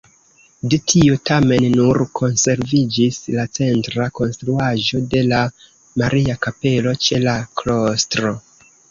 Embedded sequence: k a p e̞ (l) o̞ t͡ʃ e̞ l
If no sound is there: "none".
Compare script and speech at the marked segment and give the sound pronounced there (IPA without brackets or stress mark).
l